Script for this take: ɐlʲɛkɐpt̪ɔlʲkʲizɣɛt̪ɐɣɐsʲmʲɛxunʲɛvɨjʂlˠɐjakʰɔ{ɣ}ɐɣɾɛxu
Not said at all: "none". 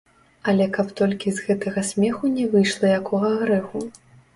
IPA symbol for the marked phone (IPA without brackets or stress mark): ɣ